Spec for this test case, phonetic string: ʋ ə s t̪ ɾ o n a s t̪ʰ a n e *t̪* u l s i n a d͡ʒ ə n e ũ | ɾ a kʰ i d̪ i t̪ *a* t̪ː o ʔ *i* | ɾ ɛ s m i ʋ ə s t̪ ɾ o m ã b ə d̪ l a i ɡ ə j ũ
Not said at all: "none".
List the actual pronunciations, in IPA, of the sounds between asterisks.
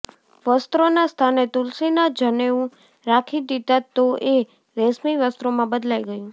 t̪, a, e

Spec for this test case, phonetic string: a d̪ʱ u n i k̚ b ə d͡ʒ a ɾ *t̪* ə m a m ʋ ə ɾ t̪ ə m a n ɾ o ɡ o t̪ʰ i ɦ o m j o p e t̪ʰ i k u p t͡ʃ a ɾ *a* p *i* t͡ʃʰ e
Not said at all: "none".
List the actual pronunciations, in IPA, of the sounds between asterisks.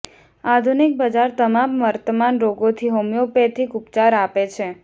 t̪, a, e

